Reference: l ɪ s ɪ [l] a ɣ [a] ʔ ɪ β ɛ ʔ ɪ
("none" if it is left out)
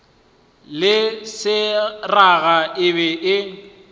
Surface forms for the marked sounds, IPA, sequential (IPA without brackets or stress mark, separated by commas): r, a